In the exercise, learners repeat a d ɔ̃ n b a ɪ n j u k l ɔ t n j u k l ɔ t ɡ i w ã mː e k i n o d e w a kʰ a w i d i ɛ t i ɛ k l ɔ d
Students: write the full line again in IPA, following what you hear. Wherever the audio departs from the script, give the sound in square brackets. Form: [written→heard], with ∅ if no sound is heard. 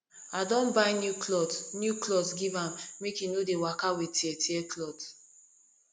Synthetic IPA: a d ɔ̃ n b a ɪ n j u k l ɔ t n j u k l ɔ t ɡ i [w→v] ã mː e k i n o d e w a [kʰ→k] a w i [d→t] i ɛ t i ɛ k l ɔ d